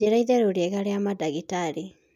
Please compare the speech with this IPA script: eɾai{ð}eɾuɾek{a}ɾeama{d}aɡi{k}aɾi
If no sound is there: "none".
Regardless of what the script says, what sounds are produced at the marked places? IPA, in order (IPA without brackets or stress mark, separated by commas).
ð, a, d, t